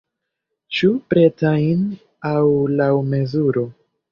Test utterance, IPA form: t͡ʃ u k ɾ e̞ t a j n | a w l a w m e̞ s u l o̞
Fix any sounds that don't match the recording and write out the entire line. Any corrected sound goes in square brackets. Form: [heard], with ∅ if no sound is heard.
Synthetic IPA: t͡ʃ u [p] ɾ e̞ t a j n | a w l a w m e̞ [z] u [ɾ] o̞